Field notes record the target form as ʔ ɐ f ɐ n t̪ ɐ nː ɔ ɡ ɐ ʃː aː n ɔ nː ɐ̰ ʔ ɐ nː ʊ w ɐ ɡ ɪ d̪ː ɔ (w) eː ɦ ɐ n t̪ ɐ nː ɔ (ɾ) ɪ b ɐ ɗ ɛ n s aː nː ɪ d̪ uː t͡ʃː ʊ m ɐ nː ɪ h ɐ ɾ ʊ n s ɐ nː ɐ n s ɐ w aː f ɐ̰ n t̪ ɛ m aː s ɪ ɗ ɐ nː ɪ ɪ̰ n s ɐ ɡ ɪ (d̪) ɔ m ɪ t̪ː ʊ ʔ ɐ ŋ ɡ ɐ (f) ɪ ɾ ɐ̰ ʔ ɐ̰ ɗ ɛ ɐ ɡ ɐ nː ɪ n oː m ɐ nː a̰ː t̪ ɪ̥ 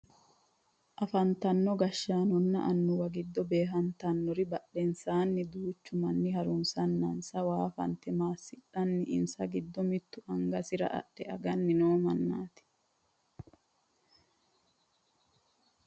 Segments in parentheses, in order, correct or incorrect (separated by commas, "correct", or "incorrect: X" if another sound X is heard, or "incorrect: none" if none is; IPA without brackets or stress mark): incorrect: b, correct, incorrect: d̪ː, incorrect: s